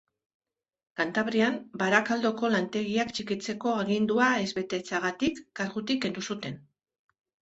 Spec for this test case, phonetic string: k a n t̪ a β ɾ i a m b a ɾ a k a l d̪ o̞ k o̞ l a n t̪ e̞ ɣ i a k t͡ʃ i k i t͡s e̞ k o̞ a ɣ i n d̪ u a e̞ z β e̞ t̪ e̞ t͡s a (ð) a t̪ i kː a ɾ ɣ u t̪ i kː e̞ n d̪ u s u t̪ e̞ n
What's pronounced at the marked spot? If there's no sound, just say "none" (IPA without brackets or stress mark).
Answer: ɣ